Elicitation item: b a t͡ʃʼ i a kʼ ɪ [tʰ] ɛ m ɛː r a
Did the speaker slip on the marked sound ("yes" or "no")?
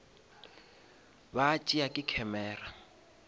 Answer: yes